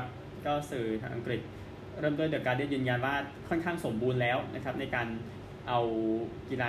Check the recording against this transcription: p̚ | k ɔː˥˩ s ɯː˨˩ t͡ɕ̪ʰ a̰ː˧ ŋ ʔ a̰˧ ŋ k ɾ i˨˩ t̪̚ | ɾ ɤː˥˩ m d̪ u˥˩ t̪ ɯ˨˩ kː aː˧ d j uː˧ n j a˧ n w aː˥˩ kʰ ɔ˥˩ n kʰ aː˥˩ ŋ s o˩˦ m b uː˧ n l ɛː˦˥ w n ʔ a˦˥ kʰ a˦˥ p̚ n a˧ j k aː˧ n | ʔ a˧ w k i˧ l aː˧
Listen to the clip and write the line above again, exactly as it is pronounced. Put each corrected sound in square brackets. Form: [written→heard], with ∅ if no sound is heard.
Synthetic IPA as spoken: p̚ | k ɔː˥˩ s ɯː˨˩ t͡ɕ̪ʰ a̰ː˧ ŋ ʔ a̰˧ ŋ k ɾ i˨˩ t̪̚ | ɾ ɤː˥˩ m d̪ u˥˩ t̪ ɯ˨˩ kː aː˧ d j [uː˧→ɯː˧] n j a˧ n w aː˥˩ kʰ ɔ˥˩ n kʰ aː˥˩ ŋ s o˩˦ m b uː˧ n l ɛː˦˥ w n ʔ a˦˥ kʰ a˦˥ p̚ n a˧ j k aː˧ n | ʔ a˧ w k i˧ l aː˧